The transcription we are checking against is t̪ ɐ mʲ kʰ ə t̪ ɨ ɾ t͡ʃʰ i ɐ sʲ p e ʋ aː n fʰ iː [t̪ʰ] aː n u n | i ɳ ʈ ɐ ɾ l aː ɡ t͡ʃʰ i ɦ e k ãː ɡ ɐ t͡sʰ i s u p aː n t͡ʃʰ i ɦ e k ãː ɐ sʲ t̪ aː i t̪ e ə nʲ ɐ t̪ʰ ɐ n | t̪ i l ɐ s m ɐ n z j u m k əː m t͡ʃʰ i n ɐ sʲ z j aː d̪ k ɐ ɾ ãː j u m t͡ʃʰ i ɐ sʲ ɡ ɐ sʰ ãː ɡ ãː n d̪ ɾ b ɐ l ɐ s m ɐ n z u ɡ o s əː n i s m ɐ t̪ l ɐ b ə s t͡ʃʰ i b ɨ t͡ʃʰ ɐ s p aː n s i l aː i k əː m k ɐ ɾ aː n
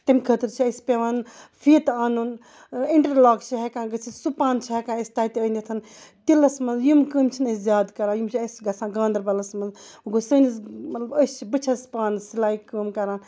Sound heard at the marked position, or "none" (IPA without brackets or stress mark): t̪